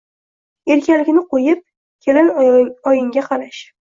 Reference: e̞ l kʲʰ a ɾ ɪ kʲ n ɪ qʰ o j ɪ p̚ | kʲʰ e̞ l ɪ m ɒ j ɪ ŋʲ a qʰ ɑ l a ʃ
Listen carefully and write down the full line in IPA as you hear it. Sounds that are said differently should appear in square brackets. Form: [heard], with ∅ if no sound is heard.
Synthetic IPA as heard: e̞ [ɾ] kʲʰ a [l] ɪ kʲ n ɪ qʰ o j ɪ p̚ | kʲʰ e̞ l ɪ [n] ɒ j ɪ ŋʲ a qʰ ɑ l a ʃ